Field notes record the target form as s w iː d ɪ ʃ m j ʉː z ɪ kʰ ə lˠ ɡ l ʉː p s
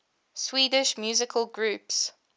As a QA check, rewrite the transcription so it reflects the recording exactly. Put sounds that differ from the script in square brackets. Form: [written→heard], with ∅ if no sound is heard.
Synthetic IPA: s w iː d ɪ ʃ m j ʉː z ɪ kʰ ə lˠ ɡ [l→ɹ] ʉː p s